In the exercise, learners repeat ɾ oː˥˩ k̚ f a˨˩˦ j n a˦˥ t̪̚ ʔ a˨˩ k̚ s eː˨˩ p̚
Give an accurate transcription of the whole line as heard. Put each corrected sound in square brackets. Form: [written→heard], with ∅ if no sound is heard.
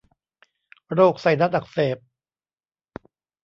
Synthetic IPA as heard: ɾ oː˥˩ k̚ [f→s] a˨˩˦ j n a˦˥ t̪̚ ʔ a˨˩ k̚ s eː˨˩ p̚